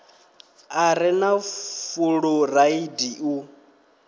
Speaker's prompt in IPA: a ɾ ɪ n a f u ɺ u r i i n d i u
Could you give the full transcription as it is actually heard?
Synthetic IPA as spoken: a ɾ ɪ n a f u ɺ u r a i d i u